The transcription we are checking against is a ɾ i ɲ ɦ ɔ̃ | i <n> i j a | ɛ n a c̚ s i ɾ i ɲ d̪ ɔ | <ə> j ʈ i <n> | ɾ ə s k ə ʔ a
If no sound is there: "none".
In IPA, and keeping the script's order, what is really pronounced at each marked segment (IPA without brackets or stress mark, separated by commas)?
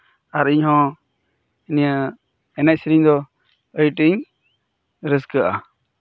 n, ə, ɲ